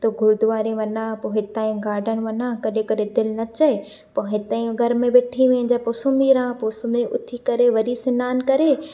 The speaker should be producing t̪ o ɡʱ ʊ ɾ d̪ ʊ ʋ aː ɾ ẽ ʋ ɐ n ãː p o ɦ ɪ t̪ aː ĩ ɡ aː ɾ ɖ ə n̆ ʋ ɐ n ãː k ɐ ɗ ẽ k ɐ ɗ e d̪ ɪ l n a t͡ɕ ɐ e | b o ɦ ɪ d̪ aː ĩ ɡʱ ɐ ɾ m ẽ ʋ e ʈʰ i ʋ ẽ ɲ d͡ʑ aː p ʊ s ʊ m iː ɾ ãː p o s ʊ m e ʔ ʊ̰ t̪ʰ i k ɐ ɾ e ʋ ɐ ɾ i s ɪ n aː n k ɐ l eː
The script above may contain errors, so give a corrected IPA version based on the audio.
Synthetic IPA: t̪ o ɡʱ ʊ ɾ d̪ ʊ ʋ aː ɾ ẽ ʋ ɐ n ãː p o ɦ ɪ t̪ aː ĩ ɡ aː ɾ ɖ ə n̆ ʋ ɐ n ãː k ɐ ɗ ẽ k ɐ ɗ e d̪ ɪ l n ɐ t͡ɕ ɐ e | p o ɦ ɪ t̪ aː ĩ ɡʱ ɐ ɾ m ẽ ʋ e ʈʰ i ʋ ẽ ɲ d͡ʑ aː p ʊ s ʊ m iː ɾ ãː p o s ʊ m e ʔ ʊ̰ t̪ʰ i k ɐ ɾ e ʋ ɐ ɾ i s ɪ n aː n k ɐ ɾ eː